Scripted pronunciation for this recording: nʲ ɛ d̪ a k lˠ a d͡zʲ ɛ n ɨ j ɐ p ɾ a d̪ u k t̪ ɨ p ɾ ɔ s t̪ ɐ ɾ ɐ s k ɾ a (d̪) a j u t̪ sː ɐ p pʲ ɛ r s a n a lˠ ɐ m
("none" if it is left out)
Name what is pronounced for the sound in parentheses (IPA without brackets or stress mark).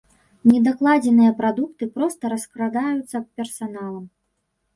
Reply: d̪